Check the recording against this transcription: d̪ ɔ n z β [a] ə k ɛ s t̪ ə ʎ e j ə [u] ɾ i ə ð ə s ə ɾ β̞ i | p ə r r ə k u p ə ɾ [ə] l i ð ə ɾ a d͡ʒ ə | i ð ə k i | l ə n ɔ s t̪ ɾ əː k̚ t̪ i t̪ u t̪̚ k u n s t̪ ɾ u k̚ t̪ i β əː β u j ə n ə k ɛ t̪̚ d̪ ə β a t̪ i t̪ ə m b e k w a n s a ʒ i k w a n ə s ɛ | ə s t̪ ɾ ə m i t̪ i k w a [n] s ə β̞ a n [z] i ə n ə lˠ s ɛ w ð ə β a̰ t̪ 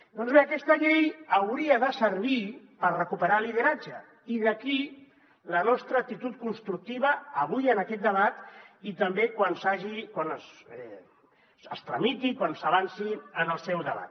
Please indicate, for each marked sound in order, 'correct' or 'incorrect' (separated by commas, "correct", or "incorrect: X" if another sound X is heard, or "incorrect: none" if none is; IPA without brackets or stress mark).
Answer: incorrect: e, incorrect: w, incorrect: a, correct, incorrect: s